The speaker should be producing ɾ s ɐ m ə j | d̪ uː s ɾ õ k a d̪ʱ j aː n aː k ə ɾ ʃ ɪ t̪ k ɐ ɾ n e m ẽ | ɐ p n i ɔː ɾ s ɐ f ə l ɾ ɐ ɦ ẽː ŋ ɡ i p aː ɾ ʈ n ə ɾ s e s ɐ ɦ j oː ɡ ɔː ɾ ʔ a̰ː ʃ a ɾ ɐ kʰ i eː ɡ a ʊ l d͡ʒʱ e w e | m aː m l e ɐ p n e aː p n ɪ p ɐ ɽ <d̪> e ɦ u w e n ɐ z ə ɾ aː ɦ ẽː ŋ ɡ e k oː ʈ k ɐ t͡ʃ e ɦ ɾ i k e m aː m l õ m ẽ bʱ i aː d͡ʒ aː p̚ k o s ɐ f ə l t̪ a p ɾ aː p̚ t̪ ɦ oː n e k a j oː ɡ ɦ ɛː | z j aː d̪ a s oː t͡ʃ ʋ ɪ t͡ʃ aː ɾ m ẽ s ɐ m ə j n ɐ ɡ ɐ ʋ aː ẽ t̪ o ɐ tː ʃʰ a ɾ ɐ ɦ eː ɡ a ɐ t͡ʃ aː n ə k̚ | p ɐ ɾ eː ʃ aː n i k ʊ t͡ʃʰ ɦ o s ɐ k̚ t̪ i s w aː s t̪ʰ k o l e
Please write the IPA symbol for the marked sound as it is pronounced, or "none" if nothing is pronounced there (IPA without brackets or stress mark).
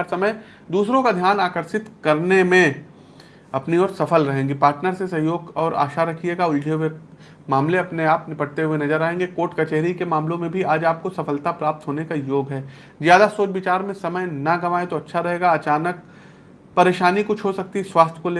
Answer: t̪